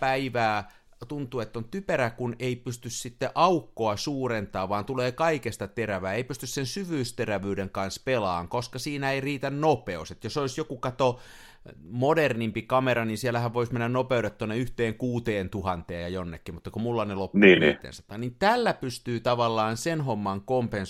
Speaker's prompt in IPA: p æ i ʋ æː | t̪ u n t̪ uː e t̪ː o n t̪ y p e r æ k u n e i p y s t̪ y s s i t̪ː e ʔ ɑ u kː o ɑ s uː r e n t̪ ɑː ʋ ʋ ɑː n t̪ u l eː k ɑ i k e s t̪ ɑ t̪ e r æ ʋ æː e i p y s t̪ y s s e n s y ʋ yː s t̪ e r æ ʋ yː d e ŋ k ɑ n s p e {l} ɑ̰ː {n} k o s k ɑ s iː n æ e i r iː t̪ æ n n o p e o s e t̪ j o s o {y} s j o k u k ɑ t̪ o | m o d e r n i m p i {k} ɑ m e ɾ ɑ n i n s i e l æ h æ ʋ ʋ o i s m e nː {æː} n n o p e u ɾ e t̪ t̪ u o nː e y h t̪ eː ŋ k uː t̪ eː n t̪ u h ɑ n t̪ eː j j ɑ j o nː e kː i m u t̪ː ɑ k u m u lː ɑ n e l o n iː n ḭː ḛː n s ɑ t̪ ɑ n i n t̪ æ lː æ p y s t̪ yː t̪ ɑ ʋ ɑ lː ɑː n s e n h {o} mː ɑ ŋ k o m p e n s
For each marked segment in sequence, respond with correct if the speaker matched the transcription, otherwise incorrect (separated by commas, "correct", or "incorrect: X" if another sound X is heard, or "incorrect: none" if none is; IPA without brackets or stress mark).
correct, incorrect: ŋ, incorrect: i, correct, incorrect: æ, correct